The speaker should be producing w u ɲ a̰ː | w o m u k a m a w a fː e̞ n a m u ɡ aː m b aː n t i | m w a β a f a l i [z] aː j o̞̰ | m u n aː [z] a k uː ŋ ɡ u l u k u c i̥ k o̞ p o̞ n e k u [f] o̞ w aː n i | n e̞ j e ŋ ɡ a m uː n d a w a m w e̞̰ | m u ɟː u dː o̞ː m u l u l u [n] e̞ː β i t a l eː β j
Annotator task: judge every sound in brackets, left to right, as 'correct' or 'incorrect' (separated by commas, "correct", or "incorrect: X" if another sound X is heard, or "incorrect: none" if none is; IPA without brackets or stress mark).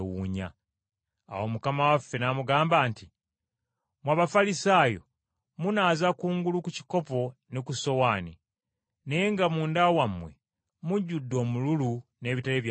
incorrect: s, correct, incorrect: s, correct